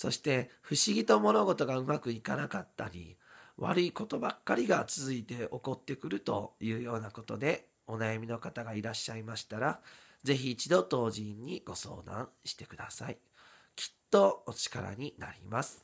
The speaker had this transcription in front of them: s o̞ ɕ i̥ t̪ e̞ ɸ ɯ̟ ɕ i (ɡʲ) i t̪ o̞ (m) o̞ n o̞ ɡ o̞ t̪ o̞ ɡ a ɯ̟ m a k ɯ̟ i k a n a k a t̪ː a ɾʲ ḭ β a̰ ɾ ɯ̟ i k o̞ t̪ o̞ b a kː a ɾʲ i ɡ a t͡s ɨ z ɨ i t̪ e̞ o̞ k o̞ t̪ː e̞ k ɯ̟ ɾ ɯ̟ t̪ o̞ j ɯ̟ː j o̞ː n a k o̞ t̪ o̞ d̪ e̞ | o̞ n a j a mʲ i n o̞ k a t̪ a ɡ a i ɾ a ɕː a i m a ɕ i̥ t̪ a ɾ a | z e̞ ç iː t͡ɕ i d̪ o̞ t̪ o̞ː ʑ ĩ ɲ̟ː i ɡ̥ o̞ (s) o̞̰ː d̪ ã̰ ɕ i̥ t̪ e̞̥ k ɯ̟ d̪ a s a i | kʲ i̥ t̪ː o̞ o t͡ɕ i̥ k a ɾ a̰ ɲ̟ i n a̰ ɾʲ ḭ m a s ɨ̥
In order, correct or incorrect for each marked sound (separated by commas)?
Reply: correct, correct, correct